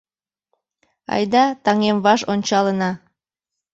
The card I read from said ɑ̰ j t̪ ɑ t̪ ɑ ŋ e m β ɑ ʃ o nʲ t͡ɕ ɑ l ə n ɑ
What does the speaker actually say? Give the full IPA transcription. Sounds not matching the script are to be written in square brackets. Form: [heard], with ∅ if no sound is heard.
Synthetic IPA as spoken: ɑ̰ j [d̪] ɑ t̪ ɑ ŋ e m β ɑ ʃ o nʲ t͡ɕ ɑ l ə n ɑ